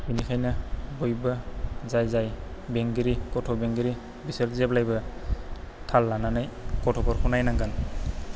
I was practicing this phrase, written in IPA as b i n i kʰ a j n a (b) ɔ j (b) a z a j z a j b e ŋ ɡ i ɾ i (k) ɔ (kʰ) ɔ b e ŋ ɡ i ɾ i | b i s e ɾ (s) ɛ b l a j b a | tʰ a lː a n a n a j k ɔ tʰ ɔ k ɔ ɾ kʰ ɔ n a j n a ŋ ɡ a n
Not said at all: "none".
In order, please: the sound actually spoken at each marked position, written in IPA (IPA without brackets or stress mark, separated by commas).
b, b, k, tʰ, z